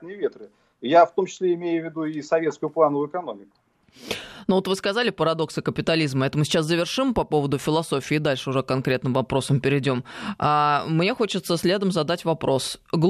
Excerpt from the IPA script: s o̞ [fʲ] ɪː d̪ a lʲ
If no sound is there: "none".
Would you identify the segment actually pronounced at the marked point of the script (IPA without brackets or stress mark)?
fʲ